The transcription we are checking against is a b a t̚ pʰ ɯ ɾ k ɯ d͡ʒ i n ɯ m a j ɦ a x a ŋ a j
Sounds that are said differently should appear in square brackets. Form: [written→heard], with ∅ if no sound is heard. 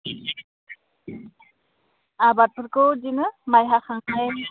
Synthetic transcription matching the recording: a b a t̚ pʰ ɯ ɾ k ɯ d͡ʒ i n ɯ m a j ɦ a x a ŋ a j